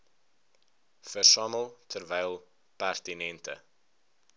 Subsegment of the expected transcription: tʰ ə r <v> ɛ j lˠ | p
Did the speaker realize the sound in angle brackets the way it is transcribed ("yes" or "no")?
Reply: yes